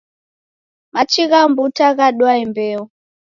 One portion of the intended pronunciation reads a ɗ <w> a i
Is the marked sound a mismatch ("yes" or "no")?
no